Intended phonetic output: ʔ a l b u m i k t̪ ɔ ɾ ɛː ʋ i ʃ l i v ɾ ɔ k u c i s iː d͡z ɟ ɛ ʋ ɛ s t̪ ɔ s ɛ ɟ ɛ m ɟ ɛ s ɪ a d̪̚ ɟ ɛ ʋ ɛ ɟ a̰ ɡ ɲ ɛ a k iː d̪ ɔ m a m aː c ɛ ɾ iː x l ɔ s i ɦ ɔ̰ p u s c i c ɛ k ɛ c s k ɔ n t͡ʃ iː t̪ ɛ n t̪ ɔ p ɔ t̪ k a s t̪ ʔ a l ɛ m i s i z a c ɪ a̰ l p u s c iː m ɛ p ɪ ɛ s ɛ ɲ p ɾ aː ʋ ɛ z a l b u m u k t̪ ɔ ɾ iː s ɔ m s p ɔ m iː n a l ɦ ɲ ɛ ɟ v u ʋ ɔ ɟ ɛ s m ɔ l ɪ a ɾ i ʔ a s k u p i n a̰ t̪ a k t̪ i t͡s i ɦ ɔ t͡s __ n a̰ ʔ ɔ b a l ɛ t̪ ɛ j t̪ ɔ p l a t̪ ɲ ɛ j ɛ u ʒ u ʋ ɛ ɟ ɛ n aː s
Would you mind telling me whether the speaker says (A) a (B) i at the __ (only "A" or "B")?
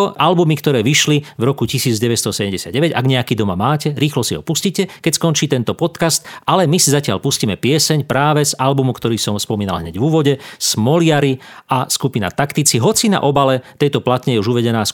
B